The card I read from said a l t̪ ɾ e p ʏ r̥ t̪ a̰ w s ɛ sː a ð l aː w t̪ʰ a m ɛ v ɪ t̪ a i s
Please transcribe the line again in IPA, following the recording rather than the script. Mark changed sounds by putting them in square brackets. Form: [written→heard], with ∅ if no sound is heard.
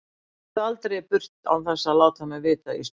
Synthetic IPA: a l t̪ ɾ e p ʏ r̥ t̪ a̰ w [s→θ] ɛ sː a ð l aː w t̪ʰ a m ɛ v [ɪ→ɪː] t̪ a i s